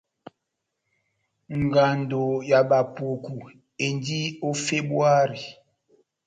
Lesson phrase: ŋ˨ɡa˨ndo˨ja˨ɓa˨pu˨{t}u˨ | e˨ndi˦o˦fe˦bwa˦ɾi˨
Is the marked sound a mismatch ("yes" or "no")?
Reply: yes